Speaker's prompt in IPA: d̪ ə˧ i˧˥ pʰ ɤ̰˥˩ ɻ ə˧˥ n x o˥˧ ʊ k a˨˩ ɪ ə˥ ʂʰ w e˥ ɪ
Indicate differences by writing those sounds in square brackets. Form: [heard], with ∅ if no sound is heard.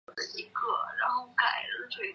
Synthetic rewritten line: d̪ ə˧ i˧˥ [kʰ] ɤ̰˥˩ ɻ [a˧˥] n x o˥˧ ʊ k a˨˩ ɪ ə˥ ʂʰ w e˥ ɪ